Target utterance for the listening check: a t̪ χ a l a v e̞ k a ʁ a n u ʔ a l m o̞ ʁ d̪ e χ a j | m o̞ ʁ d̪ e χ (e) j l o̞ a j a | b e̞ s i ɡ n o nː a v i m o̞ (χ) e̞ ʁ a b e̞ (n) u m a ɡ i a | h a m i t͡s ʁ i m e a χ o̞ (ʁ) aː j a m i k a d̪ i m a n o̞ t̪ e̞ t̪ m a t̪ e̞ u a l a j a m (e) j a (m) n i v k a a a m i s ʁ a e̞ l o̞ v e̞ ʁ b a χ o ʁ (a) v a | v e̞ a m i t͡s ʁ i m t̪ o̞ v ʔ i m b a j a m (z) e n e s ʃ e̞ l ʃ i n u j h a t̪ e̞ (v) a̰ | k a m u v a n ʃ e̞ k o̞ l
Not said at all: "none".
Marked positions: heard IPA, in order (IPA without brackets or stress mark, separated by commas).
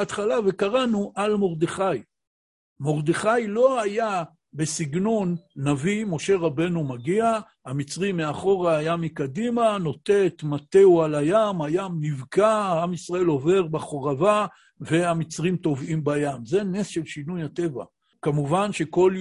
a, ʃ, n, ʁ, a, m, a, z, v